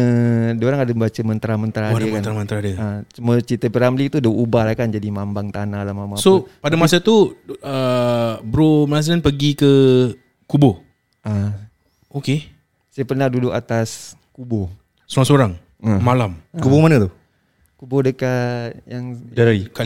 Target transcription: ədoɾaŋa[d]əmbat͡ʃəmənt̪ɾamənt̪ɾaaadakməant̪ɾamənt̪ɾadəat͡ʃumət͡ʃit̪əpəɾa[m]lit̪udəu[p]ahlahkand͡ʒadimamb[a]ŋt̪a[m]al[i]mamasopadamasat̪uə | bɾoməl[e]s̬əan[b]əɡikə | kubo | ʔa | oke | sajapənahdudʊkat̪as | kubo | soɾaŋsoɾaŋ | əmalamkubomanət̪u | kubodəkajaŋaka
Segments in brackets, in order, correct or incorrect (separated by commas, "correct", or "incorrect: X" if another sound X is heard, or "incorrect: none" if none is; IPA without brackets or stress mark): correct, correct, incorrect: b, correct, incorrect: n, incorrect: a, incorrect: a, incorrect: p